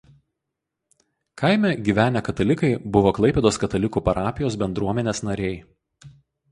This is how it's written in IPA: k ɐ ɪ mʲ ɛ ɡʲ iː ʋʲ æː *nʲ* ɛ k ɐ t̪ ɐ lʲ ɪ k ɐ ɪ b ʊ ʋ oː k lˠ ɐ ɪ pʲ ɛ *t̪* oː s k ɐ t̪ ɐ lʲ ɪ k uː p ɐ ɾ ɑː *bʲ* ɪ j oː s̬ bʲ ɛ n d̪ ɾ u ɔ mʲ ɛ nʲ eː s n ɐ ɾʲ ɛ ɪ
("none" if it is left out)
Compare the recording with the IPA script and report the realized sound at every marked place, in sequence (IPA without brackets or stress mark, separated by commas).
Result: nʲ, d̪, pʲ